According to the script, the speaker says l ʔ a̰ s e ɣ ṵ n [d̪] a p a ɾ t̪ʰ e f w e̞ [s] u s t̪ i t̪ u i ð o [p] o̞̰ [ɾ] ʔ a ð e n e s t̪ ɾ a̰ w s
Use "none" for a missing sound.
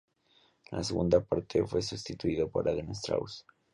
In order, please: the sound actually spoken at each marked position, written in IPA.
d̪, s, p, ɾ

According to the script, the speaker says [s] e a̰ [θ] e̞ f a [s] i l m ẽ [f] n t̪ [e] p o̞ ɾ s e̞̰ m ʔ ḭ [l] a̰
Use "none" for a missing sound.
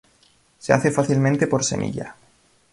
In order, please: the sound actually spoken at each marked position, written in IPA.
s, θ, θ, none, e, ʎ

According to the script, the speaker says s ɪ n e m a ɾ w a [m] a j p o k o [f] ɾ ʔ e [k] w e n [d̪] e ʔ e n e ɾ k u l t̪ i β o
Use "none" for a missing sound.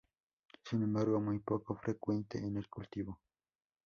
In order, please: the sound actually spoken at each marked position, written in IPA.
m, f, k, t̪

